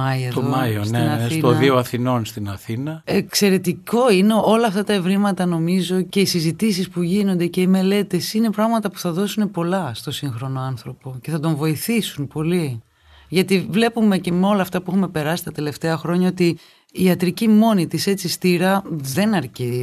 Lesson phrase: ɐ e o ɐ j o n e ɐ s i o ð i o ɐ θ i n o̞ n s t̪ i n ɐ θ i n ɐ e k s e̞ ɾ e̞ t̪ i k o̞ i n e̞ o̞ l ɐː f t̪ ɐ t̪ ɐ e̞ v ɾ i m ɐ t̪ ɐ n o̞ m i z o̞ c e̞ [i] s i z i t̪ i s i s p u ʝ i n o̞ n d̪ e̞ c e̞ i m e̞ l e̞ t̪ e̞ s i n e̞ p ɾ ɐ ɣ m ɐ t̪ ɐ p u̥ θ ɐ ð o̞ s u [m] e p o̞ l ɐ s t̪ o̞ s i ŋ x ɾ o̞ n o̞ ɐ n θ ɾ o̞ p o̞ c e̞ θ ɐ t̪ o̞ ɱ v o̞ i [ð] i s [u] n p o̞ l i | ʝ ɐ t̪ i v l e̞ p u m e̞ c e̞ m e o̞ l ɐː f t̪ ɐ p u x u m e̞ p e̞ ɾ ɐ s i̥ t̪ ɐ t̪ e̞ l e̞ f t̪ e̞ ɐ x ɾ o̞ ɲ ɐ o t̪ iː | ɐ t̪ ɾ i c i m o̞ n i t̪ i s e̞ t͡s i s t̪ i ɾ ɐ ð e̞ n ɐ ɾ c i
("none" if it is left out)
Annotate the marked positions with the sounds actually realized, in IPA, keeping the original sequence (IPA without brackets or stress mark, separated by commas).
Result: i, n, θ, u